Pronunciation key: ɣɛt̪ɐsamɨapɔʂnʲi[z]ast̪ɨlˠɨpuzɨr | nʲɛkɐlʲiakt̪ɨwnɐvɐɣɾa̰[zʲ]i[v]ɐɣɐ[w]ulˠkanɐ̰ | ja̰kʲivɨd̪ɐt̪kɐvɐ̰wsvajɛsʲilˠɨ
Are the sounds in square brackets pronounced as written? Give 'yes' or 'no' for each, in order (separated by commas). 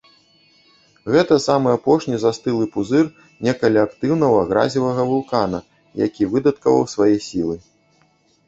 yes, yes, yes, no